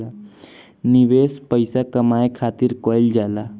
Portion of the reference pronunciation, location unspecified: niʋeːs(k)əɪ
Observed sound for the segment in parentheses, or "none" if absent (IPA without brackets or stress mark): p